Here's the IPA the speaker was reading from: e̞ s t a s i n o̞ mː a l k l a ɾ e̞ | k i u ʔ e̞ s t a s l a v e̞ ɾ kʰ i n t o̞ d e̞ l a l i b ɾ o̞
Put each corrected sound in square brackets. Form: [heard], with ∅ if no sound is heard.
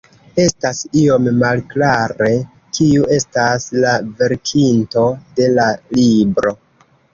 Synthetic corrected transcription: e̞ s t a s i [∅] o̞ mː a l k l a ɾ e̞ | k i u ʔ e̞ s t a s l a v e̞ ɾ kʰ i n t o̞ d e̞ l a l i b ɾ o̞